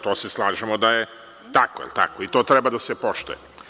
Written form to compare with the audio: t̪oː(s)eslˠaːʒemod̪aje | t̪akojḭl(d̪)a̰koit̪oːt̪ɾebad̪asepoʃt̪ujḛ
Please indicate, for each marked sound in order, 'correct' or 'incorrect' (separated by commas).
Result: correct, incorrect